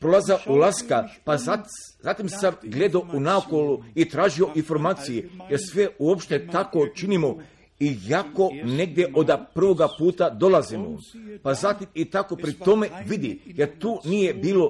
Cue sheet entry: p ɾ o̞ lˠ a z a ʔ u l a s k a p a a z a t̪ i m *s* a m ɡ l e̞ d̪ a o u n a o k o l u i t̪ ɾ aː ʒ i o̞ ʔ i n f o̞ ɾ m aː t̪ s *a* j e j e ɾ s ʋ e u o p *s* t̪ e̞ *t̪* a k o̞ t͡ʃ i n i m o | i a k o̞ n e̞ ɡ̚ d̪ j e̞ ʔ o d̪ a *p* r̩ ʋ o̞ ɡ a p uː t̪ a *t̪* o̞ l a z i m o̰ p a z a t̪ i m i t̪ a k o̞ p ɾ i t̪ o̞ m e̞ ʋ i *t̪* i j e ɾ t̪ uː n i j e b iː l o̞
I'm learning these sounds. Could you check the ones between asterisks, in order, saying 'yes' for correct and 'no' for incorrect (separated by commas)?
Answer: yes, no, no, yes, yes, no, no